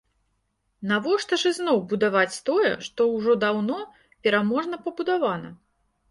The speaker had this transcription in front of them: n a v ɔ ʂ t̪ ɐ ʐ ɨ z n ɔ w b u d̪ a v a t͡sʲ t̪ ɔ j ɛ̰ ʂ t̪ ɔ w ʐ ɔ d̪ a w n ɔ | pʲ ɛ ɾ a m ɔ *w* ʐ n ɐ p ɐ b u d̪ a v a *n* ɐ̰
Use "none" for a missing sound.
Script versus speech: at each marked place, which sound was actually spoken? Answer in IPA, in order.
none, n

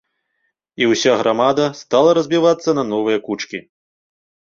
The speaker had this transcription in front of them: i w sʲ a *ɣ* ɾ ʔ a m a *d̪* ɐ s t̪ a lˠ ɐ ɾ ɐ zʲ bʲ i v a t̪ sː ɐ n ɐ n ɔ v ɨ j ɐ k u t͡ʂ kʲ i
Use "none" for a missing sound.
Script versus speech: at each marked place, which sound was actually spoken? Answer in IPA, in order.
ɣ, d̪

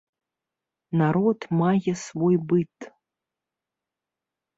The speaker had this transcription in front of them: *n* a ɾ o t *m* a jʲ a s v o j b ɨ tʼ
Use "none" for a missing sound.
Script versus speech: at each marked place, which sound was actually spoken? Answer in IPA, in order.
n, m

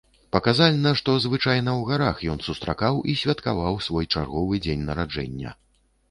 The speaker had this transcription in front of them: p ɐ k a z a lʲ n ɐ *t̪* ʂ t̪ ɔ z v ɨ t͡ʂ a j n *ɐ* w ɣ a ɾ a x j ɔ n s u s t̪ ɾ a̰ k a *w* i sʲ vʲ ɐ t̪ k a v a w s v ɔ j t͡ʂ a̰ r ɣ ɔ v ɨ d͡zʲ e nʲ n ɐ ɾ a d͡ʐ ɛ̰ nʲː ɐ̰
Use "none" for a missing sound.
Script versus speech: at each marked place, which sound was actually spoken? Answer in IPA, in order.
none, ɐ, w

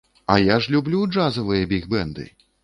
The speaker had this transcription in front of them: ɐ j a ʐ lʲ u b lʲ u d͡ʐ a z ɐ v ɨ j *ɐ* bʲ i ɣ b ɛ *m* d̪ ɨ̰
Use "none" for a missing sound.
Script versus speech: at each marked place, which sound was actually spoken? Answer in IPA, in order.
ɐ, n

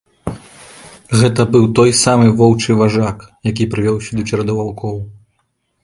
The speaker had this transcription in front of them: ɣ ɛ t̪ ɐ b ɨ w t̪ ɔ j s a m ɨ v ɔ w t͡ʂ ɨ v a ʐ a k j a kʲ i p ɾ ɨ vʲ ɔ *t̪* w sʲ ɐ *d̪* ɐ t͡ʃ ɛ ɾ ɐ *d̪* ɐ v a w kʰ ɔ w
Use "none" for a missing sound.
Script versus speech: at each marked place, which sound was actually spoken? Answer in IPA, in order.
none, d̪, d̪

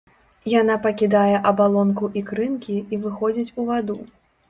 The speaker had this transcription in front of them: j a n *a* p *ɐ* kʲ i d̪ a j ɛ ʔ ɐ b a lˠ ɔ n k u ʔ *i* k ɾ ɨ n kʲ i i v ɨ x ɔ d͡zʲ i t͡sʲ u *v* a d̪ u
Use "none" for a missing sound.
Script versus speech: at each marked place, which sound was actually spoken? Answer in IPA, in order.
a, ɐ, i, v

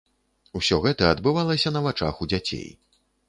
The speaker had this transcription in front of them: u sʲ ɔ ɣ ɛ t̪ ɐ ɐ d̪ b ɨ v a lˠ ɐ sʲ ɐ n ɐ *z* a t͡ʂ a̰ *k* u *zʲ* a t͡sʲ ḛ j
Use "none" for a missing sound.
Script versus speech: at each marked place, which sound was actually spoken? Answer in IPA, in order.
v, x, d͡zʲ

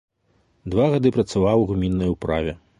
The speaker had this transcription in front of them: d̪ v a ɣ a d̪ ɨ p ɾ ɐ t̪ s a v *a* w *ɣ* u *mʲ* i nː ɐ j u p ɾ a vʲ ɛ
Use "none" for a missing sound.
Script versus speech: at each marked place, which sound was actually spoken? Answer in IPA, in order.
a, ɣ, mʲ

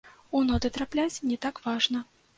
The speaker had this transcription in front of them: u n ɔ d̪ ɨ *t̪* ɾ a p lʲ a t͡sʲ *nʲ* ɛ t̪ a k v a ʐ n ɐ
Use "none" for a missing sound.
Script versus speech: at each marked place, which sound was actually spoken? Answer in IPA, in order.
t̪, nʲ

